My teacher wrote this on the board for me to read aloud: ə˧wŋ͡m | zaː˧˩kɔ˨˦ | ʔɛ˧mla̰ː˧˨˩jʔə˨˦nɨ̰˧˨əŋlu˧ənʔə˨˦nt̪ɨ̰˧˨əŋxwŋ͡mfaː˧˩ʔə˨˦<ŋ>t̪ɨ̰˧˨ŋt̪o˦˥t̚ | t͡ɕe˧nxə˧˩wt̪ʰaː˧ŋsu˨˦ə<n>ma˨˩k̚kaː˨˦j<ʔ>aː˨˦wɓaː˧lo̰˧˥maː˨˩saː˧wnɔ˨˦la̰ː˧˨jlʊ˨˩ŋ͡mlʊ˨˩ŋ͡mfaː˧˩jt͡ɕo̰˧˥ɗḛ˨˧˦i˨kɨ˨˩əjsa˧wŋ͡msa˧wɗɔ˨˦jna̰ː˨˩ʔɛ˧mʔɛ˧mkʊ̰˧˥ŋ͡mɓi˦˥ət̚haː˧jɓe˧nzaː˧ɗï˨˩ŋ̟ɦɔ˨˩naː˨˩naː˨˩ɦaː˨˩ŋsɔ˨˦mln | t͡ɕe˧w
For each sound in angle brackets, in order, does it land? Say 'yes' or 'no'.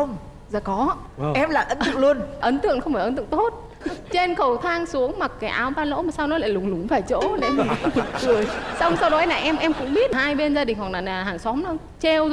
no, no, yes

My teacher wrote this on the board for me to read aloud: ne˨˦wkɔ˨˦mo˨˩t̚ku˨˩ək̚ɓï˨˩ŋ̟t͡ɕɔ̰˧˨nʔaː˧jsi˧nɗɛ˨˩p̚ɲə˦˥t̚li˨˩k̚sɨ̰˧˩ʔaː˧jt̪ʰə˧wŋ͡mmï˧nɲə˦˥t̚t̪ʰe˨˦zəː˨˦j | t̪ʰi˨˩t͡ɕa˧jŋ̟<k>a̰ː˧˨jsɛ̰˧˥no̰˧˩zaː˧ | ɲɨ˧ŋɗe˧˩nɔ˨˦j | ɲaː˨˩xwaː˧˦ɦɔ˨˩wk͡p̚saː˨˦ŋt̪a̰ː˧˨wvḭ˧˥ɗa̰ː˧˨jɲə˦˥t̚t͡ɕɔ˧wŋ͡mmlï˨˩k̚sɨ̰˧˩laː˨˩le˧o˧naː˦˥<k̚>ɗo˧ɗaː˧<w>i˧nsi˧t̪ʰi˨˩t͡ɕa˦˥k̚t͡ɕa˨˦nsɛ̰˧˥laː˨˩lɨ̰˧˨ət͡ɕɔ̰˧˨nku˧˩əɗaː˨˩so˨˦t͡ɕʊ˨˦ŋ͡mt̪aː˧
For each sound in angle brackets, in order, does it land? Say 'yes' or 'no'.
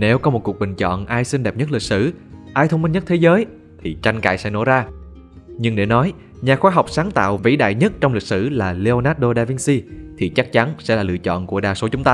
yes, no, no

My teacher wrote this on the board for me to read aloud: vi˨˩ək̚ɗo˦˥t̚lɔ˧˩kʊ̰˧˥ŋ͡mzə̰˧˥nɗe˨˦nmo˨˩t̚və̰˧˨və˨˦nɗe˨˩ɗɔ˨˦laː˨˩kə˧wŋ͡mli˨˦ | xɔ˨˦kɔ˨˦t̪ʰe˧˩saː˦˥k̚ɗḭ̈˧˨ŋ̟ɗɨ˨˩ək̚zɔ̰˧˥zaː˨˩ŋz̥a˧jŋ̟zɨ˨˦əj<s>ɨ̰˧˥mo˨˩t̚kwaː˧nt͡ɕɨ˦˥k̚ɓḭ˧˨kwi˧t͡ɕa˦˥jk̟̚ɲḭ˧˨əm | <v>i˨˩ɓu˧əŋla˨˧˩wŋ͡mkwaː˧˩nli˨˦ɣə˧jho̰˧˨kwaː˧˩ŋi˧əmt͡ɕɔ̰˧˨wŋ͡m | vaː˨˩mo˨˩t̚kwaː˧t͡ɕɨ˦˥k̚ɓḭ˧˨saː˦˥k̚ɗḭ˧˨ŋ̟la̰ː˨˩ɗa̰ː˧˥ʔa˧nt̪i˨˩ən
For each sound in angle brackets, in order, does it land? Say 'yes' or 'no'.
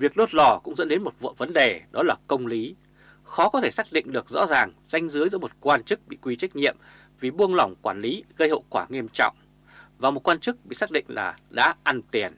no, yes

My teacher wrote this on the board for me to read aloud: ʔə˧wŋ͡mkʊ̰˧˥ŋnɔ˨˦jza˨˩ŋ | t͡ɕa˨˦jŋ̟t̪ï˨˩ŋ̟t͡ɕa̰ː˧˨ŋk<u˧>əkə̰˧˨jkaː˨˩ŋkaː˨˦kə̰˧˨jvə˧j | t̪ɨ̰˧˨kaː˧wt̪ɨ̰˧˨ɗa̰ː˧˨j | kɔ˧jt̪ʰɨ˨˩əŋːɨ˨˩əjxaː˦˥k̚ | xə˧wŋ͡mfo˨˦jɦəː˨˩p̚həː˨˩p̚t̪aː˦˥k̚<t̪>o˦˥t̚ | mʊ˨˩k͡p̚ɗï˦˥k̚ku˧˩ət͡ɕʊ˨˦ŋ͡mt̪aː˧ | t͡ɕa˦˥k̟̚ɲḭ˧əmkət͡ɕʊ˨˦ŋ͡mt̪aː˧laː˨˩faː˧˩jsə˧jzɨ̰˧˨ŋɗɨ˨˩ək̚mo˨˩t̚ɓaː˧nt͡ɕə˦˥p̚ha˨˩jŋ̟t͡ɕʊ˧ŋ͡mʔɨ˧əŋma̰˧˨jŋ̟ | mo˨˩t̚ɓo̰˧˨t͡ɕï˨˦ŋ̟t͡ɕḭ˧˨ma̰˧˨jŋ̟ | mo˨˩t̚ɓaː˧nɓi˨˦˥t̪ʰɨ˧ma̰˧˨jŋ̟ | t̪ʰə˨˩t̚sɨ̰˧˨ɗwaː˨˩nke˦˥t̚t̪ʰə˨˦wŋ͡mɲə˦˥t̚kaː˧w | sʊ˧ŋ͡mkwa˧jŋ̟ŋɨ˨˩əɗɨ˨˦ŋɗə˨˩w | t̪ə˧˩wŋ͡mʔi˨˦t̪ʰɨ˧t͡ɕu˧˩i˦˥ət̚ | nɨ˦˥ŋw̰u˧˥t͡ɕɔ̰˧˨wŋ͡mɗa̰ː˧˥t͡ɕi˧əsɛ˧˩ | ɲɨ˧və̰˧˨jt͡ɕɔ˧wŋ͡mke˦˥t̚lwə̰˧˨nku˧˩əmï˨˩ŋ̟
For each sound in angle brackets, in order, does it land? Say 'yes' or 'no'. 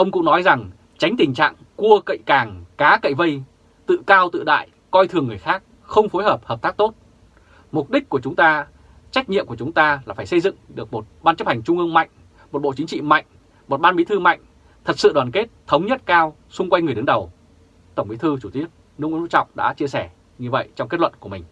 yes, yes

